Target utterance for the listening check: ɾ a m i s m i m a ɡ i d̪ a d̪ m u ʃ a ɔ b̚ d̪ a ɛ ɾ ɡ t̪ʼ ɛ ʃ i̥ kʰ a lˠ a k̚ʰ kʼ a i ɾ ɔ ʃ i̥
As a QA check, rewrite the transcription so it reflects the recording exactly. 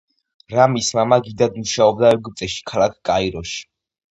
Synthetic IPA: ɾ a m i s m a m a ɡ i d̪ a d̪ m u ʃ a ɔ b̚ d̪ a ɛ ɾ ɡ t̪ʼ ɛ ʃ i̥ kʰ a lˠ a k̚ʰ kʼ a i ɾ ɔ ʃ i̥